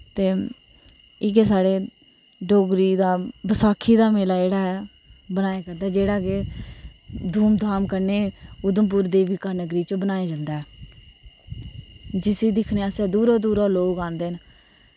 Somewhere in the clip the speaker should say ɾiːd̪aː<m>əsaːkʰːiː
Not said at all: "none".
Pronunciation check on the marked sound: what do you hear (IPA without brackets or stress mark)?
b